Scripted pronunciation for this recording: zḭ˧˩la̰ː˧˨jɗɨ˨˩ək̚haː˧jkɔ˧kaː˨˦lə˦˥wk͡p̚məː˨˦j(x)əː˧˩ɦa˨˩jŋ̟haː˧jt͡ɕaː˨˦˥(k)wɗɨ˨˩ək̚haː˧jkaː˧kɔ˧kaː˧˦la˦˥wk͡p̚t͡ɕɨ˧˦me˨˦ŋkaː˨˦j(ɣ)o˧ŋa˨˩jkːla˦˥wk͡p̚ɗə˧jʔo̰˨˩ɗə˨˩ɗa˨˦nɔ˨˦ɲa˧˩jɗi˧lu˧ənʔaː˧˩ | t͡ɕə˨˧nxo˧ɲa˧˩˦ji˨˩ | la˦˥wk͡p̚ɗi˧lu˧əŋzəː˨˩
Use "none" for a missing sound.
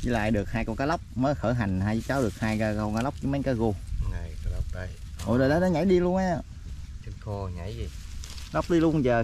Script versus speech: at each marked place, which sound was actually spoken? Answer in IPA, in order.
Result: x, none, ɣ

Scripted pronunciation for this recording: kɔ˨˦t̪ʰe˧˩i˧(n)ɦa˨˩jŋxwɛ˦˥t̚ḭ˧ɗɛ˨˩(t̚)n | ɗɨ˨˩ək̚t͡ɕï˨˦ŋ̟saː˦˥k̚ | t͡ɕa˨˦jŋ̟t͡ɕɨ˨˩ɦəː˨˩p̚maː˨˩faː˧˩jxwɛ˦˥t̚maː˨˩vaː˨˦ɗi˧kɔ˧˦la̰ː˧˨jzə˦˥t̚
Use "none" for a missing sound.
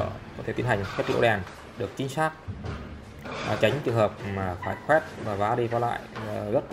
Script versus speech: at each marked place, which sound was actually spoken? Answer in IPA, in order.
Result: n, none

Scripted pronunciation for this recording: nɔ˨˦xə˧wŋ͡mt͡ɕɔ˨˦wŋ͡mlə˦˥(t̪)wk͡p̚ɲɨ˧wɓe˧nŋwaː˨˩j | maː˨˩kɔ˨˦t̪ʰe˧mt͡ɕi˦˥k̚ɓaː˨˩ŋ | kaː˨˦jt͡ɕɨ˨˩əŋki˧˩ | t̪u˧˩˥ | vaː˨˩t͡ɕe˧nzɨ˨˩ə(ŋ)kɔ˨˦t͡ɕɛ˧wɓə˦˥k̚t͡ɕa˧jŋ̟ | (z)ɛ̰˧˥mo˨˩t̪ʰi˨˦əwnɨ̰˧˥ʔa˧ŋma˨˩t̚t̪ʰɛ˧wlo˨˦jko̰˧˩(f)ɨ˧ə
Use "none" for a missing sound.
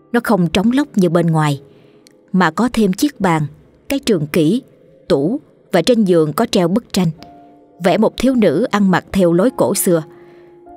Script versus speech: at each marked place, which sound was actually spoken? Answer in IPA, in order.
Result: none, ŋ, v, s

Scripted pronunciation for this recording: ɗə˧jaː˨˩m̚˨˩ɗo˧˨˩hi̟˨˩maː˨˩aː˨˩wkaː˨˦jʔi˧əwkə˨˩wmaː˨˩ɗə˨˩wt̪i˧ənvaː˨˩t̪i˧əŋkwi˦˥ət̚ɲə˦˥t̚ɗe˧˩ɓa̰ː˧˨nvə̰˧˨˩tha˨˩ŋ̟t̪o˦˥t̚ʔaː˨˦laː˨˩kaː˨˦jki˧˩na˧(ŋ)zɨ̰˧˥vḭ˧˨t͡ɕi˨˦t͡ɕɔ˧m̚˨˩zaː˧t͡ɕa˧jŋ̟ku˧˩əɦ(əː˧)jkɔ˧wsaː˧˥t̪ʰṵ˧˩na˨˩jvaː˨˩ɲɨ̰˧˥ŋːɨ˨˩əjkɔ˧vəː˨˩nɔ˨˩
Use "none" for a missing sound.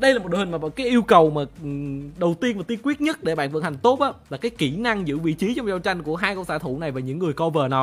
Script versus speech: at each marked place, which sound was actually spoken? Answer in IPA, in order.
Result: ŋ, aː˧

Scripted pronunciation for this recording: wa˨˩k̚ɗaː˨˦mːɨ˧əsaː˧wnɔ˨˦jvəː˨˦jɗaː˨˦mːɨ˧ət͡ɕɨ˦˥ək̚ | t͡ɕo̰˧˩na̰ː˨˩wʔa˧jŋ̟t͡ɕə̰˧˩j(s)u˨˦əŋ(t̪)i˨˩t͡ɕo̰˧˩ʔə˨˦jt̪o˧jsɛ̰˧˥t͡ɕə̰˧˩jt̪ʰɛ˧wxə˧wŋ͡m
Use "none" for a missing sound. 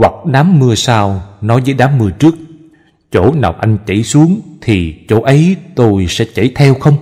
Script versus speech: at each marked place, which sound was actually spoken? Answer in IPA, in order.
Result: s, t̪ʰ

